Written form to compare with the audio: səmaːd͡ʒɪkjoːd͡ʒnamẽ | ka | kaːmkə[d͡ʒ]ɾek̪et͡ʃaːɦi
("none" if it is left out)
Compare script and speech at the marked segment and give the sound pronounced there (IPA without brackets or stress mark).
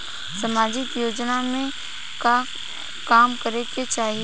none